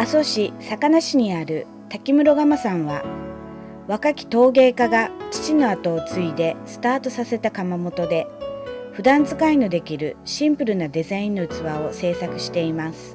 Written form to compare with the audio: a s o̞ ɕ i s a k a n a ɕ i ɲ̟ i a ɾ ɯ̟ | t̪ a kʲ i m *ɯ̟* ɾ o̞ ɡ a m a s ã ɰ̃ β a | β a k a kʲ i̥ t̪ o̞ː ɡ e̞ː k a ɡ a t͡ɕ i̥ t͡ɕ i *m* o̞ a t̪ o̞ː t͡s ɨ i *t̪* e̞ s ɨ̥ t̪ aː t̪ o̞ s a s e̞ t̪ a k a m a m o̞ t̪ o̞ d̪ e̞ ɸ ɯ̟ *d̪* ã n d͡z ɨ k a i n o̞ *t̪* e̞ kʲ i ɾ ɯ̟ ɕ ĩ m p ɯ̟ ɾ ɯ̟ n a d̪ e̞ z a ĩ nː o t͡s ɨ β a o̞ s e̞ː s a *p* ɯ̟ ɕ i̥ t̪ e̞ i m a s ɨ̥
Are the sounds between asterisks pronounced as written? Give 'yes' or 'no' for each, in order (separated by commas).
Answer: yes, no, no, yes, no, no